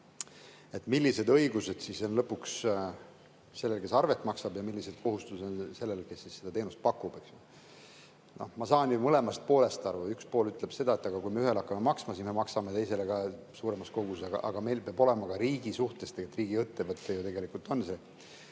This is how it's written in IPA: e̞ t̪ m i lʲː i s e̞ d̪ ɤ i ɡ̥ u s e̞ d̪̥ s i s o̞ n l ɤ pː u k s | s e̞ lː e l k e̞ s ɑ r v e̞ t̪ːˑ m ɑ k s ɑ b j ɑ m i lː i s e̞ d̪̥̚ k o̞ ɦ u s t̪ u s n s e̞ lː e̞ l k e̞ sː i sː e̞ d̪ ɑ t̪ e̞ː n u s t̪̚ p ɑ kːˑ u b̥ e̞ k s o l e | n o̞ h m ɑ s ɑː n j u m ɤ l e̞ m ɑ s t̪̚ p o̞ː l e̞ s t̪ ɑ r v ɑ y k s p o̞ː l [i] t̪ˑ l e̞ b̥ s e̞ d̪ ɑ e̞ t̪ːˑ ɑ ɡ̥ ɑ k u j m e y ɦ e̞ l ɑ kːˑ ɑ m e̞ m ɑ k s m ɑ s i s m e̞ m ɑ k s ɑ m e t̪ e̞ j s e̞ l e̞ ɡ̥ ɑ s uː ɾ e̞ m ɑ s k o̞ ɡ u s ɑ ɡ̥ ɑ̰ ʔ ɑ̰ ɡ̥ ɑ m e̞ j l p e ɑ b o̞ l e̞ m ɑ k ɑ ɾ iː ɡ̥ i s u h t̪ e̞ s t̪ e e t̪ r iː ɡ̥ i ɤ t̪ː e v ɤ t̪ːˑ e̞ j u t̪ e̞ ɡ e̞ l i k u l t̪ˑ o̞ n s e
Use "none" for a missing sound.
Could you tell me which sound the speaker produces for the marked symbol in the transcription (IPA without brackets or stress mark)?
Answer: y